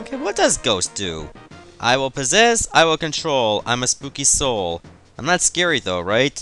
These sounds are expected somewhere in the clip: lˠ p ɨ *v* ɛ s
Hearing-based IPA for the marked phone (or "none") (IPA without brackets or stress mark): z